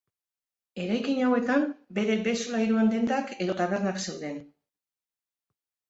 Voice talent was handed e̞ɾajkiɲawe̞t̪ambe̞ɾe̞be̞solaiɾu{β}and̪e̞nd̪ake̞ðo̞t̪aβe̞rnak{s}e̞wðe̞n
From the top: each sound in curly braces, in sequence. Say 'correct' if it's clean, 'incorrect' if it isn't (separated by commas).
incorrect, correct